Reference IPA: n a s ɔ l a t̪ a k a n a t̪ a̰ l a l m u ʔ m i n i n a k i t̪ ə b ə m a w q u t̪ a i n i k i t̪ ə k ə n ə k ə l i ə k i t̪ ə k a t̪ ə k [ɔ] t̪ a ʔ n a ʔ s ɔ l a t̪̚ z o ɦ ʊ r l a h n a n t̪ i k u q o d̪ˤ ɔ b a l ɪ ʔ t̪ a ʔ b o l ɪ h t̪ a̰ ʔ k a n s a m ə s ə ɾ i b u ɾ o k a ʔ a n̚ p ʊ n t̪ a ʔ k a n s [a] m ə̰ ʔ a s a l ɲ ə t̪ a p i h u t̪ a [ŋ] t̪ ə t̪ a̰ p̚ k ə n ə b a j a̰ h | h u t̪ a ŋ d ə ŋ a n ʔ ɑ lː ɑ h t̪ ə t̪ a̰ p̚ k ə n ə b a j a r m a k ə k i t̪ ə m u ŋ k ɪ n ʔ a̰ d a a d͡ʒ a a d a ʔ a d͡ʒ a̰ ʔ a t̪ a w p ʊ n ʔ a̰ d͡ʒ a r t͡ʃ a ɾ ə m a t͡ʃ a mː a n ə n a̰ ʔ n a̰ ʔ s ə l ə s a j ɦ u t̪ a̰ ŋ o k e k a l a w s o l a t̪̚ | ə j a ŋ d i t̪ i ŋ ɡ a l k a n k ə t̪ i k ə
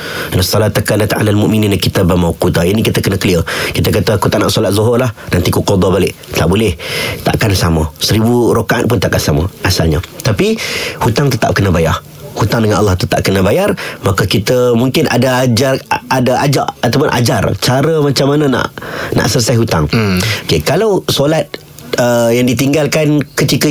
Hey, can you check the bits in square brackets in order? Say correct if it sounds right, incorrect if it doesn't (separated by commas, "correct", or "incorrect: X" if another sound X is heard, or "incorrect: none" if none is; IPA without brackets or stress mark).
incorrect: u, correct, correct